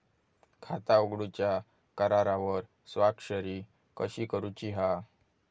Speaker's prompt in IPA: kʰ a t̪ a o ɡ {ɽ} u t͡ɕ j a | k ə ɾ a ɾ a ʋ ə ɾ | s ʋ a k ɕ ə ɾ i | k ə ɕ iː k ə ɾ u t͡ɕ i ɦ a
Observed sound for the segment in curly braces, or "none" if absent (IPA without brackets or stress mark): ɽ